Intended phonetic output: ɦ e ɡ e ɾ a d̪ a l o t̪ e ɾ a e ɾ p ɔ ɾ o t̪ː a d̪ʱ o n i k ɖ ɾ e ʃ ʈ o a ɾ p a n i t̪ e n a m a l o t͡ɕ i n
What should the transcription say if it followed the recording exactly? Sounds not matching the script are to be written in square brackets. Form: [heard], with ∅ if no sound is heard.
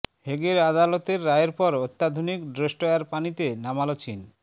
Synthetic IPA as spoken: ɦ e ɡ e ɾ a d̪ a l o t̪ e [ɾː] a e ɾ p ɔ ɾ o t̪ː a d̪ʱ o n i k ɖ ɾ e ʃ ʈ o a ɾ p a n i t̪ e n a m a l o t͡ɕ i n